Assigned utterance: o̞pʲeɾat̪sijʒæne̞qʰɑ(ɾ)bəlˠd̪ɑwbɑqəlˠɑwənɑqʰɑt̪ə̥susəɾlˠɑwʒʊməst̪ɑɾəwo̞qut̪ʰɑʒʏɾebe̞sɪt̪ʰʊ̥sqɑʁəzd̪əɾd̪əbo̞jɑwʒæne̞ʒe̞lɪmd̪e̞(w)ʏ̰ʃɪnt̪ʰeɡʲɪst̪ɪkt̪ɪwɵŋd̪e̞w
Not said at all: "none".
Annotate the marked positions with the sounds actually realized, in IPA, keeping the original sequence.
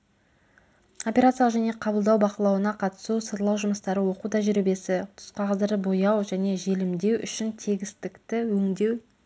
none, w

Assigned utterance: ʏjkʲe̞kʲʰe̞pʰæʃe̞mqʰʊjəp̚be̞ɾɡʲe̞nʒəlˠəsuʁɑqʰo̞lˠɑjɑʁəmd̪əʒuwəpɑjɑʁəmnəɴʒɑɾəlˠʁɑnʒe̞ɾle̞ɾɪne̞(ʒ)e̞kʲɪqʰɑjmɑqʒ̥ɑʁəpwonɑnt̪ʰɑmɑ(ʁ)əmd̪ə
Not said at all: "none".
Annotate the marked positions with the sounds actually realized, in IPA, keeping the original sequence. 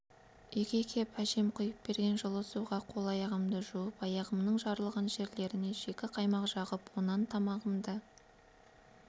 ʒ, ʁ

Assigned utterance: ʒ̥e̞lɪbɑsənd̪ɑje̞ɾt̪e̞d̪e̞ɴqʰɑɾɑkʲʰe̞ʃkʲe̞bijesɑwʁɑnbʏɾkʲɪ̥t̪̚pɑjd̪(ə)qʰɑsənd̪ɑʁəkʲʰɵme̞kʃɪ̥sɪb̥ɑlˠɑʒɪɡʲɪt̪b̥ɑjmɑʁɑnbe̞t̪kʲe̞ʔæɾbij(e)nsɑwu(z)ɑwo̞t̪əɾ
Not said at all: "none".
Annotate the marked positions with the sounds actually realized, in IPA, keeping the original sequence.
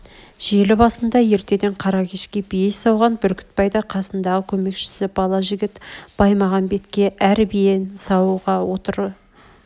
ɑ, e, ʁ

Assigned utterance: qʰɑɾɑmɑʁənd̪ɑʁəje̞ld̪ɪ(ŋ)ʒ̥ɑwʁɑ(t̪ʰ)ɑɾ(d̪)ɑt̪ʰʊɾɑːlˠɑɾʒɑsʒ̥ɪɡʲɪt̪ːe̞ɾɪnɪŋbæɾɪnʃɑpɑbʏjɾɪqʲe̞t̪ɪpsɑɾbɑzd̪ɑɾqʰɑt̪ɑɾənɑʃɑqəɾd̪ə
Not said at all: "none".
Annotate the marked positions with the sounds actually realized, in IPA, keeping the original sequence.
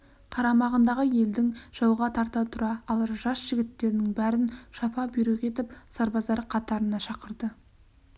ŋ, t̪ʰ, t̪

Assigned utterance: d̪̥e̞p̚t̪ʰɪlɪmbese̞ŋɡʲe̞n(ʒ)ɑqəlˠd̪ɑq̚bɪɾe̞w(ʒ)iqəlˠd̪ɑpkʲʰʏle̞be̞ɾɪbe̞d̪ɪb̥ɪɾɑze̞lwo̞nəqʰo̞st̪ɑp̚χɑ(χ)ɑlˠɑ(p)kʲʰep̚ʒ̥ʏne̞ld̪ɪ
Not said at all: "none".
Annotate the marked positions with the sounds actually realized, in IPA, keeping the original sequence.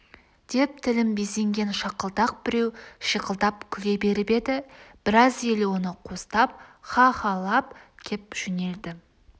ʃ, ʃ, χ, p

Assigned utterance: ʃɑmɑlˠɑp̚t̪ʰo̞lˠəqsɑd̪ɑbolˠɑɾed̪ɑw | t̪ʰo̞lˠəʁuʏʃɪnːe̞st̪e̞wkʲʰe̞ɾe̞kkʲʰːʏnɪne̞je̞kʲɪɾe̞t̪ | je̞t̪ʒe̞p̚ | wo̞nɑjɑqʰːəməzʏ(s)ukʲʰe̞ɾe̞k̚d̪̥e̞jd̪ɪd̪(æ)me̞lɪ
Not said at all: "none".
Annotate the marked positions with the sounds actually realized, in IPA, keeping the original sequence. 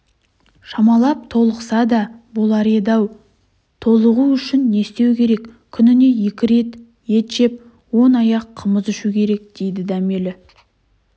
ʃ, æ

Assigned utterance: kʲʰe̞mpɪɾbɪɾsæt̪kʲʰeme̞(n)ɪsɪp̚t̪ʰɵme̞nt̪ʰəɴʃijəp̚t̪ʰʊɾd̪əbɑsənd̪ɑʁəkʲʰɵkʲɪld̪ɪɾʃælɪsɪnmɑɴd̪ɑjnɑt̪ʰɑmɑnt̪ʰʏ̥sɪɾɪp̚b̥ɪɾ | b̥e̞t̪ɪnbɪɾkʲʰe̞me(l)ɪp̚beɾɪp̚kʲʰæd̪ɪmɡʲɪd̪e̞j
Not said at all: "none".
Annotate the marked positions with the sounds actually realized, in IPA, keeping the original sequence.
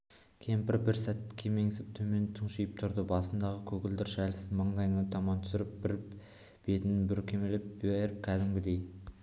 ŋ, l

